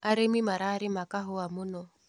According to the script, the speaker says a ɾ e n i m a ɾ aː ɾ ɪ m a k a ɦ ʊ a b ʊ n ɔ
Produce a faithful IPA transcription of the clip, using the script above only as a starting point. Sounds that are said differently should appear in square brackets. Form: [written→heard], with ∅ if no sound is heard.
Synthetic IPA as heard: a ɾ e [n→m] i m a ɾ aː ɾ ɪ m a k a ɦ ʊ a [b→m] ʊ n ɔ

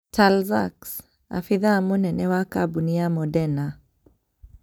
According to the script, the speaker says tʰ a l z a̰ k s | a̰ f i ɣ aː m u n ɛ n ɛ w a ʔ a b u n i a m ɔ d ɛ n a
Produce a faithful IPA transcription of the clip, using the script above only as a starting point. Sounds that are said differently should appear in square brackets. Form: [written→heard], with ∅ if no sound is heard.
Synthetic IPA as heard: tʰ a l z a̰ k s | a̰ f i [ɣ→ð] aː m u n ɛ n ɛ w a [ʔ→k] a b u n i a m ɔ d ɛ n a

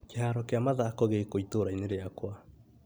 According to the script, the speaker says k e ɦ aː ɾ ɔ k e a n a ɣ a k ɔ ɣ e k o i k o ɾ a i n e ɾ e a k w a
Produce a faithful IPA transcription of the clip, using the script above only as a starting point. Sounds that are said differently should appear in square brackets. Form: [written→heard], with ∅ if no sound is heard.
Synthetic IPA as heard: k e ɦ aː ɾ ɔ k e a [n→m] a [ɣ→ð] a k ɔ ɣ e k o i [k→t] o ɾ a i n e ɾ e a k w a

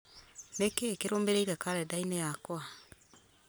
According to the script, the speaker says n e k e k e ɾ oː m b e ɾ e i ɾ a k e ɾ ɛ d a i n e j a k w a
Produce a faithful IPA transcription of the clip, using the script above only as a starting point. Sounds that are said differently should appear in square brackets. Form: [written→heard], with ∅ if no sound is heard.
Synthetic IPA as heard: n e k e k e ɾ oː m b e ɾ e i ɾ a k [e→a] ɾ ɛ d a i n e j a k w a

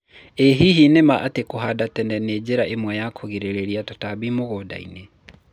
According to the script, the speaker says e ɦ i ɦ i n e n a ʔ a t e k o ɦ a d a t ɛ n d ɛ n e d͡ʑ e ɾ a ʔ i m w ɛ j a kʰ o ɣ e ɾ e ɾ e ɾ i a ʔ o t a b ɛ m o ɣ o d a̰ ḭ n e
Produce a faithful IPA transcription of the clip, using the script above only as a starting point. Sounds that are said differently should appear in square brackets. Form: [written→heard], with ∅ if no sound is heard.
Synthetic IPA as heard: e ɦ i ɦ i n e [n→m] a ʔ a t e k o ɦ a d a t ɛ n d ɛ n e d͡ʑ e ɾ a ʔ [i→e] m w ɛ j a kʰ o ɣ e ɾ e ɾ e ɾ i a [ʔ→t] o t a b [ɛ→i] m o ɣ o d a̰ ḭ n e

